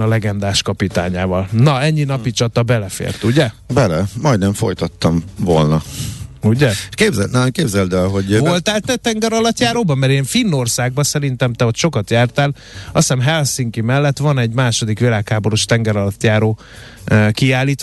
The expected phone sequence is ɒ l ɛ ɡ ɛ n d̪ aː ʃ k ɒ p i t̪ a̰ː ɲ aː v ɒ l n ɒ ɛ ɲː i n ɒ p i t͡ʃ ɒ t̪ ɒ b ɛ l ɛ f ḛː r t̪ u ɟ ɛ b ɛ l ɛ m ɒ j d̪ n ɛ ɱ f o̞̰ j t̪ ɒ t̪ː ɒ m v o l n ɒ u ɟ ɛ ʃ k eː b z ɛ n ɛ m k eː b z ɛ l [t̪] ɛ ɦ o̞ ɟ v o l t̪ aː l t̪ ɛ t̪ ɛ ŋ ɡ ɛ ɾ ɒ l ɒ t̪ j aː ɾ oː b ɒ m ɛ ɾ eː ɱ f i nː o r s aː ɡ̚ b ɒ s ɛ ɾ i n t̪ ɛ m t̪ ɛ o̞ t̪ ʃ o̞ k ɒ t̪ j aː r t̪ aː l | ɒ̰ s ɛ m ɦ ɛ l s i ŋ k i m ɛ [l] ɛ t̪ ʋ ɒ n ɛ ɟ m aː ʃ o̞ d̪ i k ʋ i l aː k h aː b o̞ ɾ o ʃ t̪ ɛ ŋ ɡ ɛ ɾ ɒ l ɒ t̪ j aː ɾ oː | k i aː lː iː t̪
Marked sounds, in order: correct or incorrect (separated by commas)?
incorrect, incorrect